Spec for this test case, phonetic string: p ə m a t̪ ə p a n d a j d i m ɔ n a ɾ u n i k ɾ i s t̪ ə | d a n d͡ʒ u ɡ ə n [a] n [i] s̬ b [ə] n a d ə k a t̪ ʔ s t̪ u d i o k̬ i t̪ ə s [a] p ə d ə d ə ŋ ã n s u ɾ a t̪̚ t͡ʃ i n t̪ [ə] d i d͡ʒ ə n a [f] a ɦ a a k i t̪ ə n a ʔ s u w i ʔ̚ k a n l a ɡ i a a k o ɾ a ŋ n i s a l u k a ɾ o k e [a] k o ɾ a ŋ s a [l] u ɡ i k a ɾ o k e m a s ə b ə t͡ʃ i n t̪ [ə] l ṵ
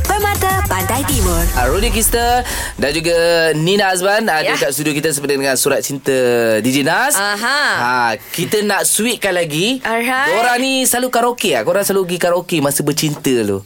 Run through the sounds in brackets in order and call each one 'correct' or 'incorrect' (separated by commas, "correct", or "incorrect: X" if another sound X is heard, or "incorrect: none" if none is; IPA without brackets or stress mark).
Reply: incorrect: i, incorrect: a, incorrect: a, incorrect: ə, correct, incorrect: s, correct, correct, correct